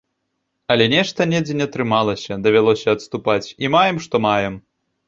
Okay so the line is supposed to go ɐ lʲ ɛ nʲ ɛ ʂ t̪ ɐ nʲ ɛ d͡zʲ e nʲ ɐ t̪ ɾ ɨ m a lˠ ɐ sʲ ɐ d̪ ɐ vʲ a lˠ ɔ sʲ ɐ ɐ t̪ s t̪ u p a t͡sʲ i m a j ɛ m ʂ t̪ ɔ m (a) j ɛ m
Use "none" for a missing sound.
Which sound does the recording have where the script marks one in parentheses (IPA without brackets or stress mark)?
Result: a